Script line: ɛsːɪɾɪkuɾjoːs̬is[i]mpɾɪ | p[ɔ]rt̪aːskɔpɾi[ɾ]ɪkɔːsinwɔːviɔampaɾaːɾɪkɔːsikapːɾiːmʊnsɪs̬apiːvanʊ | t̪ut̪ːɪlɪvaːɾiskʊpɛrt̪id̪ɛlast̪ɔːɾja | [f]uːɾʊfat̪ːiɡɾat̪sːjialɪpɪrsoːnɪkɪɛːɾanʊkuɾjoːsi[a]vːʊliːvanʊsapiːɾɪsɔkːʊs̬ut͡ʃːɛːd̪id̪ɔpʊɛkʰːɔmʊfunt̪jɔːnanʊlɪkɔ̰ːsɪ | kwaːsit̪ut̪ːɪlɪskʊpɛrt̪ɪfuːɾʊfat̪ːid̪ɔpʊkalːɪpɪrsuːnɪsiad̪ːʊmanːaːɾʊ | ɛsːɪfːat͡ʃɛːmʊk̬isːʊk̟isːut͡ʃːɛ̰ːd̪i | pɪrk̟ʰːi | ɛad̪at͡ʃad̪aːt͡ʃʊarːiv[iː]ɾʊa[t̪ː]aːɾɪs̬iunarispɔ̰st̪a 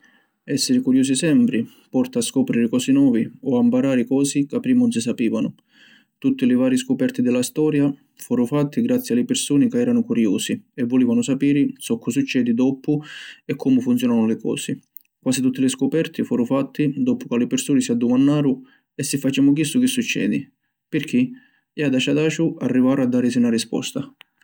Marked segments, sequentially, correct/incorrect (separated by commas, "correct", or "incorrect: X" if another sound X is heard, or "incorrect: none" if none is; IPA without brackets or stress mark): incorrect: ɛ, correct, correct, correct, incorrect: ɛ, incorrect: aː, incorrect: d̪ː